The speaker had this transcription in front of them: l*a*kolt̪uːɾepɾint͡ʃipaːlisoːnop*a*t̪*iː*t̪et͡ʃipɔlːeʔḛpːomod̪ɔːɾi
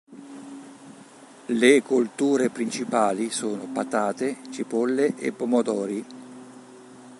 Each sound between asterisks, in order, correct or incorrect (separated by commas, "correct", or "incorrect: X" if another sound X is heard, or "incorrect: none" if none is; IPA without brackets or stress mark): incorrect: e, correct, incorrect: aː